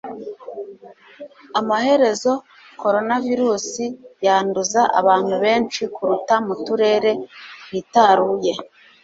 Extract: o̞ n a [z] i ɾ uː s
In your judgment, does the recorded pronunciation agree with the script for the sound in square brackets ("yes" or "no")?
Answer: no